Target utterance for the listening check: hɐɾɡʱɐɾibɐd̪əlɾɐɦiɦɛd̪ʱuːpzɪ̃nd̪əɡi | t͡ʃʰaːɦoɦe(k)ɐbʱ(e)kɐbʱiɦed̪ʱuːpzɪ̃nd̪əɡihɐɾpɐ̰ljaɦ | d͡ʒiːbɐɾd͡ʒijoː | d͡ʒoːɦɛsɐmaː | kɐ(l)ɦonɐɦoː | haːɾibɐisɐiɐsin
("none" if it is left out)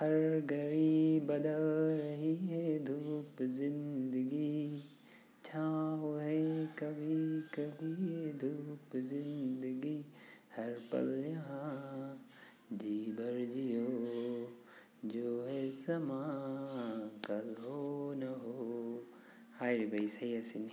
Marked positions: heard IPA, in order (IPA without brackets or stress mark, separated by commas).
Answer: k, i, l